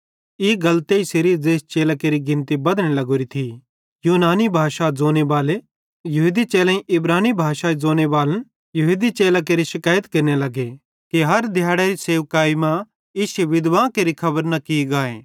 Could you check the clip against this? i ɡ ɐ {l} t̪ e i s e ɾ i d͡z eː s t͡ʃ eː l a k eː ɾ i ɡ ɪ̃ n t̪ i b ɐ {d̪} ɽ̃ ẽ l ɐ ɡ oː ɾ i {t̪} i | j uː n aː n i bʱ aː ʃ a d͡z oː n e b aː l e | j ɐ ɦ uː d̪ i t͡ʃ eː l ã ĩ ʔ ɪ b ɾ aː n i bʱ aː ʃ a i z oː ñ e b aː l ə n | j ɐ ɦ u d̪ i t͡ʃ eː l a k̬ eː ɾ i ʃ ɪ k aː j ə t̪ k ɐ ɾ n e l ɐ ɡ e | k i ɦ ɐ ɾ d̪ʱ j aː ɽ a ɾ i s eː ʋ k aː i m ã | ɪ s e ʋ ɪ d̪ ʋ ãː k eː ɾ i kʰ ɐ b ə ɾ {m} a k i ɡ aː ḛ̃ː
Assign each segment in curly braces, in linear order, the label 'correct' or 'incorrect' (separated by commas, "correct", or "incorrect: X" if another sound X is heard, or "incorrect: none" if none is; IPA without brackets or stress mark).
correct, correct, incorrect: t̪ʰ, incorrect: n